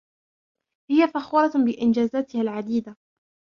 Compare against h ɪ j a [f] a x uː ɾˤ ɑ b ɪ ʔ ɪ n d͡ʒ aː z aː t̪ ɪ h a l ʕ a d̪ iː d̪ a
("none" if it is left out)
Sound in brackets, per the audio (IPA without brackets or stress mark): f